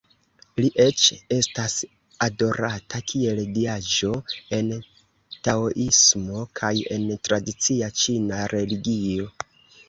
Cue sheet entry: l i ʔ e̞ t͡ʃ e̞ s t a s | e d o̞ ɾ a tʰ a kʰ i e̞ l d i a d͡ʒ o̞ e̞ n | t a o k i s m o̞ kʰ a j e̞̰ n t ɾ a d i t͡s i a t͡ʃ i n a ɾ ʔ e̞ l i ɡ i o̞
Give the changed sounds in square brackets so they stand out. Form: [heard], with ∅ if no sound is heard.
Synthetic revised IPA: l i ʔ e̞ t͡ʃ e̞ s t a s | [a] d o̞ ɾ a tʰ a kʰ i e̞ l d i a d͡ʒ o̞ e̞ n | t a o [ʔ] i s m o̞ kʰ a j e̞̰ n t ɾ a d i t͡s i a t͡ʃ i n a ɾ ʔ e̞ l i ɡ i o̞